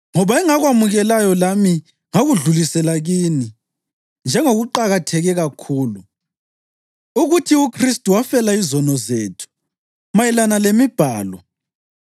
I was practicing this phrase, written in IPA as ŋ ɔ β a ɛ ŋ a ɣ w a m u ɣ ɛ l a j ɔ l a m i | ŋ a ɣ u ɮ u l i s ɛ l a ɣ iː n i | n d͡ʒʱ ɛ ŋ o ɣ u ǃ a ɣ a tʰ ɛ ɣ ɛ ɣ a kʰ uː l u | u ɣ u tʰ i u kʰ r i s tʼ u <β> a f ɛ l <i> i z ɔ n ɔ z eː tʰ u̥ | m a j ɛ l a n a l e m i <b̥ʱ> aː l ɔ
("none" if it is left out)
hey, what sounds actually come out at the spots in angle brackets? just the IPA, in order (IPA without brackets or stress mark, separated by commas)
w, a, b̥ʱ